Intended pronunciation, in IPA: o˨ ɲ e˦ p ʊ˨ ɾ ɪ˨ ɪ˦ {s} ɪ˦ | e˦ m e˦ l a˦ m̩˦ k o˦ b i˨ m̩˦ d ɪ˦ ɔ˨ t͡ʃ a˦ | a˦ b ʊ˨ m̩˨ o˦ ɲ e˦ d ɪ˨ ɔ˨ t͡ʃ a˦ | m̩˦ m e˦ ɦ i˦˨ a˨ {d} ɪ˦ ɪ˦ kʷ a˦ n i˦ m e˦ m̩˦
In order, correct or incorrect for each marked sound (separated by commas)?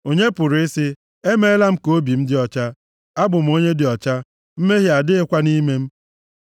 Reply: correct, correct